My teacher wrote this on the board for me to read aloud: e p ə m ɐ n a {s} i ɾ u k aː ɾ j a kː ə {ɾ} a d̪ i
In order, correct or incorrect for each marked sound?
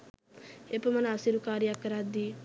correct, correct

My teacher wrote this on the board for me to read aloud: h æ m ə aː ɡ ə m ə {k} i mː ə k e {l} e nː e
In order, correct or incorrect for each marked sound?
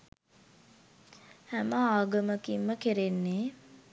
correct, incorrect: ɾ

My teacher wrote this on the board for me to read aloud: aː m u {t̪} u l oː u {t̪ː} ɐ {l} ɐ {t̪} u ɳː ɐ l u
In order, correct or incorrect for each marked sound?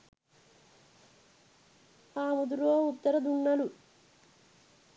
incorrect: d̪, correct, incorrect: ɾ, incorrect: d̪

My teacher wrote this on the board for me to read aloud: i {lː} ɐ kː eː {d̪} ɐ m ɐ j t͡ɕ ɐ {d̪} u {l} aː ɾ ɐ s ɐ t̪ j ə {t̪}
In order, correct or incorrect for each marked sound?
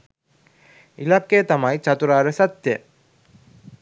incorrect: l, incorrect: t̪, incorrect: t̪, incorrect: ɾ, incorrect: none

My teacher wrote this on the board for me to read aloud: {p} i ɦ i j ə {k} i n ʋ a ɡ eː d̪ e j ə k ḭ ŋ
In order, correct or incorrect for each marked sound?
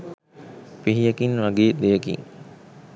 correct, correct

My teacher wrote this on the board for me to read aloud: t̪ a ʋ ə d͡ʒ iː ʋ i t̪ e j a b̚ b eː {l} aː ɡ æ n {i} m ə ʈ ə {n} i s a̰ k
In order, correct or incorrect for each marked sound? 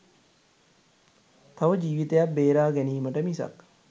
incorrect: ɾ, incorrect: iː, incorrect: m

